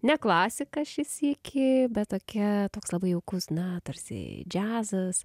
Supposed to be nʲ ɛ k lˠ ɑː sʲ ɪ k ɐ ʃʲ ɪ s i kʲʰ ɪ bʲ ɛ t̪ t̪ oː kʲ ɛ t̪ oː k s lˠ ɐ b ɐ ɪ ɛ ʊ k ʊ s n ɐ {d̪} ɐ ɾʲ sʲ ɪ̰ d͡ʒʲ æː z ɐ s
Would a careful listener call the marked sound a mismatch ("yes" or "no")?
yes